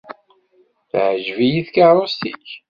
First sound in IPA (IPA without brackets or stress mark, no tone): θ